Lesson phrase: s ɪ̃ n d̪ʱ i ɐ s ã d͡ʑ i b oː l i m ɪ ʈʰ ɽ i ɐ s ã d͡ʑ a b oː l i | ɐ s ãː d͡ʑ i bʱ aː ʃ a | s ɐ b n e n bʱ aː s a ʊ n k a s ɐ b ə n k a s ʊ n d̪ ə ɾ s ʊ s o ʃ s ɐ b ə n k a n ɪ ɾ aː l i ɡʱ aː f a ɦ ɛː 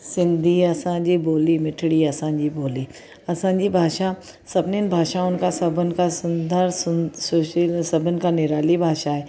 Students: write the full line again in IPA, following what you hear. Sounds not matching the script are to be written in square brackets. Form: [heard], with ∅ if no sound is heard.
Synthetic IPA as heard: s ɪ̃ n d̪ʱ i ɐ s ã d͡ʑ i b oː l i m ɪ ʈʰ ɽ i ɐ s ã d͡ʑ [i] b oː l i | ɐ s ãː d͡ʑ i bʱ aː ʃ a | s ɐ b n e n bʱ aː [ʃ] a ʊ n k a s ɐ b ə n k a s ʊ n d̪ ə ɾ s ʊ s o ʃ s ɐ b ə n k a n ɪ ɾ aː l i [bʱ] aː [ʃ] a ɦ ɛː